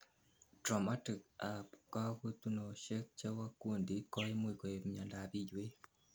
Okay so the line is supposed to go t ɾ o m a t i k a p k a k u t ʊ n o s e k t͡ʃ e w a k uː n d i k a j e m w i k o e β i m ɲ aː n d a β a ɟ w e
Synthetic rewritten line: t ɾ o m a t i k a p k a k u t u n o ʃ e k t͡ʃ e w a k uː n d i k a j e m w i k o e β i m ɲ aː n d a β i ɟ w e